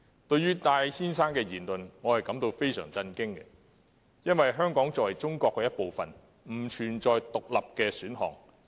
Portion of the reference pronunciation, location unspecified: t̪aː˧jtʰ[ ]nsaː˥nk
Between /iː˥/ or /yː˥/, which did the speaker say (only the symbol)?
iː˥